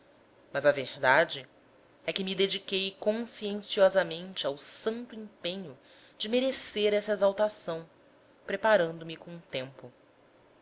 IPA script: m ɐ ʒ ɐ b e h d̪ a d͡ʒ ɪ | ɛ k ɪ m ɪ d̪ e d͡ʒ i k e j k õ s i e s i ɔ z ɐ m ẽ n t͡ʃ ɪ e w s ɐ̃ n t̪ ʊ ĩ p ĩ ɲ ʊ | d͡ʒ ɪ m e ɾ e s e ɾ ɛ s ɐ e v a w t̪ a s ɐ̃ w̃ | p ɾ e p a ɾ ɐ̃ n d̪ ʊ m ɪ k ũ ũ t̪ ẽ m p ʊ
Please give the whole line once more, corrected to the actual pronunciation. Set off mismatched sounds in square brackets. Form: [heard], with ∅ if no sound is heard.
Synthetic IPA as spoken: m ɐ [z] ɐ [v] e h d̪ a d͡ʒ ɪ | ɛ k ɪ m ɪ d̪ e d͡ʒ i k e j k õ s i [ẽ] s i ɔ z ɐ m ẽ n t͡ʃ ɪ [a] w s ɐ̃ n t̪ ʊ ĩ p [ẽ] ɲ ʊ | d͡ʒ ɪ m e ɾ e s e ɾ ɛ s ɐ e [z] a w t̪ a s ɐ̃ w̃ | p ɾ e p a ɾ ɐ̃ n d̪ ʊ m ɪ k [õ] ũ t̪ ẽ m p ʊ